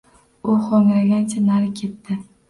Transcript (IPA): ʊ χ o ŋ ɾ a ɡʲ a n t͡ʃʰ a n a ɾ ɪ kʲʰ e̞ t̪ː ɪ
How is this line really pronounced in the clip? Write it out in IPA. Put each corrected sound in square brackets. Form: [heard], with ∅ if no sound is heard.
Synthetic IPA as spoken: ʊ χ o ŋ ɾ a ɡʲ a n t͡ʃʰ a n a ɾ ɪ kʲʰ e̞ t̪ː ɪ